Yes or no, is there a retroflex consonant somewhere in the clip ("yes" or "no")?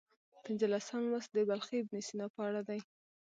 yes